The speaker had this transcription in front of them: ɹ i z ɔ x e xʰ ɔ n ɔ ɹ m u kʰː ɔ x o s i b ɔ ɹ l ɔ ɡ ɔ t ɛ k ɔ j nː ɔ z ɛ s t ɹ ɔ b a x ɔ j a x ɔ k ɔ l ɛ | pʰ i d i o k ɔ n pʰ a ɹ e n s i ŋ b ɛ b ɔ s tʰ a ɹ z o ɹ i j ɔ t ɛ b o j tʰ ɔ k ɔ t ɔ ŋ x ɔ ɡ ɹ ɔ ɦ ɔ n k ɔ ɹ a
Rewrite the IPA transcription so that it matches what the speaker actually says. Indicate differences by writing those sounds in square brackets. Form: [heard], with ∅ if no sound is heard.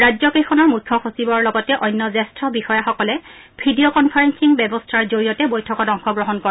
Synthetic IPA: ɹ [a] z ɔ [k] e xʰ ɔ n ɔ ɹ m u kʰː ɔ x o s i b ɔ ɹ l ɔ ɡ ɔ t ɛ [ʔ] ɔ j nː ɔ z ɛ s t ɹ ɔ b [i] x ɔ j a x ɔ k ɔ l ɛ | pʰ i d i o k ɔ n pʰ a ɹ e n s i ŋ b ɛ b ɔ s tʰ a ɹ z o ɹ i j ɔ t ɛ b o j tʰ ɔ k ɔ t ɔ ŋ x ɔ ɡ ɹ ɔ ɦ ɔ n k ɔ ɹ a